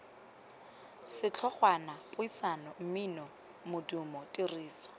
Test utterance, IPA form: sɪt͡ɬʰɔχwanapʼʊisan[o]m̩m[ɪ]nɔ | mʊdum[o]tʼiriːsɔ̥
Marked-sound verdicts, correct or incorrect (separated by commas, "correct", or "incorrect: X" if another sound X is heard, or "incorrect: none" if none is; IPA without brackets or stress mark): incorrect: ɔ, incorrect: i, incorrect: ɔ